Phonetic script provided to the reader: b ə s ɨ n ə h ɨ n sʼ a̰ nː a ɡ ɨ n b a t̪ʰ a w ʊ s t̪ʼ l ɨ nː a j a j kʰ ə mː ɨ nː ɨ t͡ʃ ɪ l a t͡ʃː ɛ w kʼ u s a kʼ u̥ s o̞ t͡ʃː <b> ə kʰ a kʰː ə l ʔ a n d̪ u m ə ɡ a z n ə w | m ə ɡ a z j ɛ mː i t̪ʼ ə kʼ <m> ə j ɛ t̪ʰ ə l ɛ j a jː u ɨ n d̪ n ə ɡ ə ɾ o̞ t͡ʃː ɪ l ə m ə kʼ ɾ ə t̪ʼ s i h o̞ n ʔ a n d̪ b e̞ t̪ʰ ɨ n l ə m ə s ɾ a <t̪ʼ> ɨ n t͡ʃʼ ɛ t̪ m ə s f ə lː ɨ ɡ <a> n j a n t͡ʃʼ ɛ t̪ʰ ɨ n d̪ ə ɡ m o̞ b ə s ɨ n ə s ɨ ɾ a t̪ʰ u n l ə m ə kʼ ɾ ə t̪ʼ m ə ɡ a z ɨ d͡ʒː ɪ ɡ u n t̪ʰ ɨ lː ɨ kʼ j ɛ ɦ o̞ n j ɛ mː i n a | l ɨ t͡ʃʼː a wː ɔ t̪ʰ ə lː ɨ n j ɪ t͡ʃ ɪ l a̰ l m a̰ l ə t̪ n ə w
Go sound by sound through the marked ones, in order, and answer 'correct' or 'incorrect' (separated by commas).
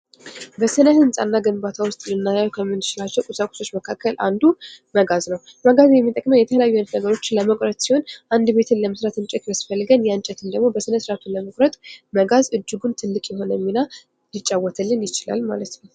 incorrect, correct, incorrect, incorrect